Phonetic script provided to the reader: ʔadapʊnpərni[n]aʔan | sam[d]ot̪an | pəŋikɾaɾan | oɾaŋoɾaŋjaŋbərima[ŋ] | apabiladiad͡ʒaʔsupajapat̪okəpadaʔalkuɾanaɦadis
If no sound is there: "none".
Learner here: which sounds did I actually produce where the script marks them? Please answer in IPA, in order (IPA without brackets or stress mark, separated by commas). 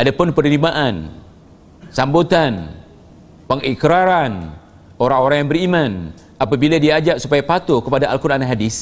m, b, n